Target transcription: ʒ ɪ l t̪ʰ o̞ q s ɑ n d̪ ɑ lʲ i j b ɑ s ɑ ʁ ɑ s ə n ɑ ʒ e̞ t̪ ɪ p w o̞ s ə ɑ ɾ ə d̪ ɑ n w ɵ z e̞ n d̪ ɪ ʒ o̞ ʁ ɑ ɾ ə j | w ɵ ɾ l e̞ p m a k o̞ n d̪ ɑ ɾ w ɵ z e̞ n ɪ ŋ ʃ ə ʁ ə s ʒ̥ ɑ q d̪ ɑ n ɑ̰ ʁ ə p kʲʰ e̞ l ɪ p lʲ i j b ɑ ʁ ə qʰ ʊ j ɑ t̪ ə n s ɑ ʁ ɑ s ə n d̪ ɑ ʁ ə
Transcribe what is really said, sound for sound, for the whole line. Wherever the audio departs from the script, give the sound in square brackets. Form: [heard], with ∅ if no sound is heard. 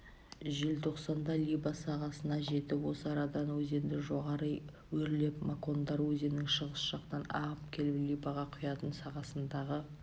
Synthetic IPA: ʒ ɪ l t̪ʰ o̞ q s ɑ n d̪ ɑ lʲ i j b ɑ s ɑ ʁ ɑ s ə n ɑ ʒ e̞ t̪ ɪ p w o̞ s ə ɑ ɾ [ɑ] d̪ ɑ n w ɵ z e̞ n d̪ ɪ ʒ o̞ ʁ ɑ ɾ ə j | w ɵ ɾ l e̞ p m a k o̞ n d̪ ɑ ɾ w ɵ z e̞ n ɪ ŋ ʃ ə ʁ ə s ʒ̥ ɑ q [t̪] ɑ n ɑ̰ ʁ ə p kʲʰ e̞ l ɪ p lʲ i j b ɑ ʁ [ɑ] qʰ ʊ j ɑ t̪ ə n s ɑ ʁ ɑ s ə n d̪ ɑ ʁ ə